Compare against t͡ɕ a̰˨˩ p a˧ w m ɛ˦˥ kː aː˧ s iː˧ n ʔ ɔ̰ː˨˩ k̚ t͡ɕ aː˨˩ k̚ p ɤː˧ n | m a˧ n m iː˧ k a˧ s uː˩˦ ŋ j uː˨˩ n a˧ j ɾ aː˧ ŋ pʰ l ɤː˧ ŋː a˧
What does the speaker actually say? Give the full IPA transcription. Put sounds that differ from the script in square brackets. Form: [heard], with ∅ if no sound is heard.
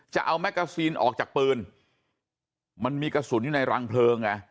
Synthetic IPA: t͡ɕ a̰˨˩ [ʔ] a˧ w m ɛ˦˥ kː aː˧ s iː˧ n ʔ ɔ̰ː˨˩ k̚ t͡ɕ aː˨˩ k̚ p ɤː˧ n | m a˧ n m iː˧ k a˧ s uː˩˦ [n] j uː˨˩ n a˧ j ɾ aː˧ ŋ pʰ l ɤː˧ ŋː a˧